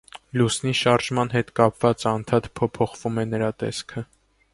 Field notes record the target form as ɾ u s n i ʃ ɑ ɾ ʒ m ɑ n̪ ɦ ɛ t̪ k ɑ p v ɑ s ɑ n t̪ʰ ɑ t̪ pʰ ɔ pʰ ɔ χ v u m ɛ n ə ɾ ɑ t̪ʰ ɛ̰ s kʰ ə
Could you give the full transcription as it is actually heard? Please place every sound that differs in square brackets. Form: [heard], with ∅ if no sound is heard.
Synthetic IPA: [l] u s n i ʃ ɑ ɾ ʒ m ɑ n̪ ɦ ɛ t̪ k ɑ p v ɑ [t͡s] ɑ n t̪ʰ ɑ t̪ pʰ ɔ pʰ ɔ χ v u m ɛ n ə ɾ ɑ [t̪] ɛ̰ s kʰ ə